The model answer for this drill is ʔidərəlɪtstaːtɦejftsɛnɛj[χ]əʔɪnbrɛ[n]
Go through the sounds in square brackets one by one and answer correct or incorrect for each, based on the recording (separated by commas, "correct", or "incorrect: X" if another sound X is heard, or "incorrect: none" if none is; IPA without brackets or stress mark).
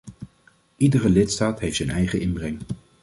correct, incorrect: ŋ